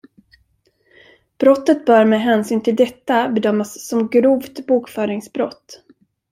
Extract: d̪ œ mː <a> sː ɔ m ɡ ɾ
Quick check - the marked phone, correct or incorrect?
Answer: correct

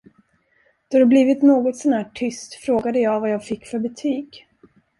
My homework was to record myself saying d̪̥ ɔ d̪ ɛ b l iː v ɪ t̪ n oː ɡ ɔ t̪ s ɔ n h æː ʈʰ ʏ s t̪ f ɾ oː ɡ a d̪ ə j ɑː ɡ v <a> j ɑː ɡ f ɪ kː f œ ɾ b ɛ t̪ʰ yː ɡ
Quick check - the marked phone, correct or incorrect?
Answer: correct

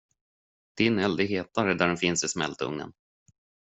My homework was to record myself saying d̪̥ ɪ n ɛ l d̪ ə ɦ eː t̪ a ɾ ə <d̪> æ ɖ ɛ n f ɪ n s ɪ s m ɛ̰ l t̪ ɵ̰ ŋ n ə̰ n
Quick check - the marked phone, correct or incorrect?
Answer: correct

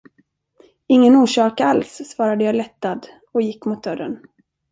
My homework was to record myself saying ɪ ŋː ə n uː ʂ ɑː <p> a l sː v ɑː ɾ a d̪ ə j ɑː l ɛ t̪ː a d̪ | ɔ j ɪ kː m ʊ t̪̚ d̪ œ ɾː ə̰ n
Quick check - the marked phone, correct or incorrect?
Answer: incorrect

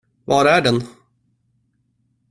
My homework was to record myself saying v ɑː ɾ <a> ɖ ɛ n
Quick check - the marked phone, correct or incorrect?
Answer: incorrect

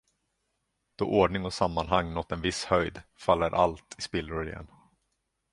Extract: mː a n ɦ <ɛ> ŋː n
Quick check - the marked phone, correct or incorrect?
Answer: incorrect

